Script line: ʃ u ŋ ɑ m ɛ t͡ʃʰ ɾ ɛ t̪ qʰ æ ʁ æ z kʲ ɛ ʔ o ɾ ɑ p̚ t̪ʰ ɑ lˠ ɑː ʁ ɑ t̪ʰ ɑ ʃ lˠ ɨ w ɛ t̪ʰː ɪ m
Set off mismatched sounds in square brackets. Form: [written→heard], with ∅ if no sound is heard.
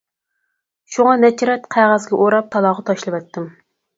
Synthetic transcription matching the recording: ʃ u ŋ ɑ [m→n] ɛ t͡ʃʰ ɾ ɛ t̪ qʰ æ ʁ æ z [kʲ→ɡʲ] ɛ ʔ o ɾ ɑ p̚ t̪ʰ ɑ lˠ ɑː ʁ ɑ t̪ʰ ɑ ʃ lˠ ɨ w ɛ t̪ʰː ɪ m

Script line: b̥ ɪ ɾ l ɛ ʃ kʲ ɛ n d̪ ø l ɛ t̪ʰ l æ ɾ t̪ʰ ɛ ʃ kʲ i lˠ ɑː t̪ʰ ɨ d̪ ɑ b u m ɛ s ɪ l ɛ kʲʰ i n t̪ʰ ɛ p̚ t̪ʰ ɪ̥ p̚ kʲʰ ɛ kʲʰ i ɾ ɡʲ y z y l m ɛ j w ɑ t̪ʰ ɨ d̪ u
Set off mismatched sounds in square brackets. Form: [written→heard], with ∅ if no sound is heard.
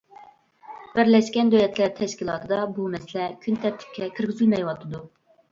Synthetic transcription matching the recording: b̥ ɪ ɾ l ɛ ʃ kʲ ɛ n d̪ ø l ɛ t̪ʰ l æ ɾ t̪ʰ ɛ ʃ kʲ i lˠ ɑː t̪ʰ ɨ d̪ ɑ b u m ɛ s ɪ l ɛ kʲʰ [i→y] n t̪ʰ ɛ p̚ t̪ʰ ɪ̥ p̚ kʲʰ ɛ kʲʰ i ɾ ɡʲ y z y l m ɛ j w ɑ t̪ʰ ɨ d̪ u

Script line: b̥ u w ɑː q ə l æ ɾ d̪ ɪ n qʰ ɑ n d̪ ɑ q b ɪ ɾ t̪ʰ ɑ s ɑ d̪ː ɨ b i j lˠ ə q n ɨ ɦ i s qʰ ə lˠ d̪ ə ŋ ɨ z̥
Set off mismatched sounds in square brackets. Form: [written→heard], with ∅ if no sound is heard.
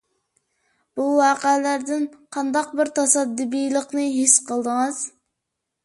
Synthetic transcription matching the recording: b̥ u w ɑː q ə l æ ɾ d̪ ɪ n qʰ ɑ n d̪ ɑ q b ɪ ɾ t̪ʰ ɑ s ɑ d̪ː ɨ b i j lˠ ə q n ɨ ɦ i s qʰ ə lˠ d̪ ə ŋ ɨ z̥

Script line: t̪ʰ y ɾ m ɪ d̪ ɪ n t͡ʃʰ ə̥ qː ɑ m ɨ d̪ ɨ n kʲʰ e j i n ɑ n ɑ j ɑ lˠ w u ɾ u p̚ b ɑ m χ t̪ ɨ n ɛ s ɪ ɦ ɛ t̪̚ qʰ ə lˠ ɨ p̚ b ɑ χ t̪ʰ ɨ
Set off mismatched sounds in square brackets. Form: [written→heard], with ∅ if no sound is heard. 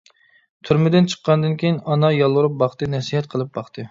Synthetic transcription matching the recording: t̪ʰ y ɾ m ɪ d̪ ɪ n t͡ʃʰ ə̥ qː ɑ [m→n] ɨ d̪ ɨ n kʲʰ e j i n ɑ n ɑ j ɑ lˠ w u ɾ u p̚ b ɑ [m→∅] χ t̪ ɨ n ɛ s [ɪ→i] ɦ ɛ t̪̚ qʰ ə lˠ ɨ p̚ b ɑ χ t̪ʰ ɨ

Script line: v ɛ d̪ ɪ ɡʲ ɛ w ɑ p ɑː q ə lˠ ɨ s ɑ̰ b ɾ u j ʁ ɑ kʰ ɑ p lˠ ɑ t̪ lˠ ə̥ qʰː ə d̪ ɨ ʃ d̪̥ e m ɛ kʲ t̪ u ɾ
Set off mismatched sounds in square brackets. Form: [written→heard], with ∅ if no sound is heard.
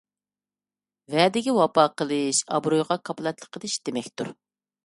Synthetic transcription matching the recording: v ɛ d̪ ɪ ɡʲ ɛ w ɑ p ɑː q ə lˠ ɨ [s→ʃ] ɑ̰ b ɾ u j ʁ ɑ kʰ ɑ p lˠ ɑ t̪ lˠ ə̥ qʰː ə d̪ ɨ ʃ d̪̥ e m ɛ kʲ t̪ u ɾ

